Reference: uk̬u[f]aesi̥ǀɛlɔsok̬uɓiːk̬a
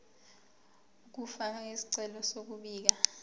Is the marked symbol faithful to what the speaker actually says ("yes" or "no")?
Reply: yes